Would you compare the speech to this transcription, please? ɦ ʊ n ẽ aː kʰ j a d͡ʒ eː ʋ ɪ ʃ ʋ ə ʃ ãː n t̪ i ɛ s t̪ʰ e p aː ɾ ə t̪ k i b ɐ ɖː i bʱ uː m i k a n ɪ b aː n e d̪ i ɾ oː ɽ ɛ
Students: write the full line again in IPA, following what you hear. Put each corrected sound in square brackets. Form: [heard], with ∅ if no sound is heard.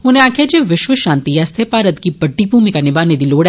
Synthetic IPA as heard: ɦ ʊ n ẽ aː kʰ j a d͡ʒ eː ʋ ɪ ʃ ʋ ə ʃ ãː n t̪ i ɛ s t̪ʰ e p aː ɾ ə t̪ k i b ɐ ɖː i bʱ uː m i k a n ɪ b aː n e d̪ i [l] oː ɽ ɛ